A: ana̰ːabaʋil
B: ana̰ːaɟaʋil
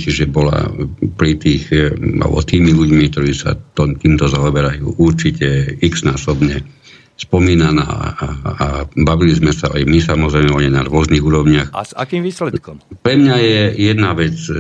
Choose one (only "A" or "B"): A